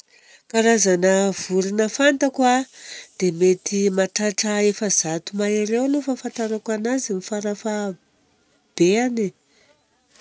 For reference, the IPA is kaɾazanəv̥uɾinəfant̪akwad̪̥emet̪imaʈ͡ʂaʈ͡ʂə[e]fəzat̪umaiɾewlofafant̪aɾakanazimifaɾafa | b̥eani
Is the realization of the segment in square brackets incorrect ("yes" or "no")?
no